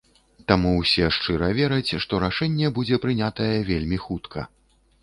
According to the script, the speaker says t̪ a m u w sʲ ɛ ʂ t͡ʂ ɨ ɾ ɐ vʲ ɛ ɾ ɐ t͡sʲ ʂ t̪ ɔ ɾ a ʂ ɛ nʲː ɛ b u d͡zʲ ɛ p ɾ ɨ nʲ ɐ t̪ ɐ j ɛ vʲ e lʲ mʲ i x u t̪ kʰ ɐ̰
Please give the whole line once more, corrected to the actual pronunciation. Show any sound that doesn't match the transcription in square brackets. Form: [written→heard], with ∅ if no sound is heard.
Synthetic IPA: t̪ a m u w sʲ ɛ ʂ t͡ʂ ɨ ɾ ɐ vʲ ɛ ɾ ɐ t͡sʲ ʂ t̪ ɔ ɾ a ʂ ɛ nʲː ɛ b u d͡zʲ ɛ p ɾ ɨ nʲ [ɐ→a] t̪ ɐ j ɛ vʲ e lʲ mʲ i x u t̪ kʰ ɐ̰